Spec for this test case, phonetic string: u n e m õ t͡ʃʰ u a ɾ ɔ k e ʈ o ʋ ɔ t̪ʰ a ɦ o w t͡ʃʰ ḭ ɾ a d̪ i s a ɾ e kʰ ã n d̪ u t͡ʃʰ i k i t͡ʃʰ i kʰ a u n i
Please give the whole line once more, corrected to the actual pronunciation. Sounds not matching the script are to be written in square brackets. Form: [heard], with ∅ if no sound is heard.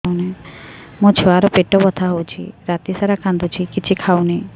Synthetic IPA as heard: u n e m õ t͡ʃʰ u a ɾ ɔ [p] e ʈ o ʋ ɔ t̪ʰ a ɦ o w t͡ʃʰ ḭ ɾ a [t̪] i s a ɾ [a] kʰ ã n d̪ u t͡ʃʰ i k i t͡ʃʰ i kʰ a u n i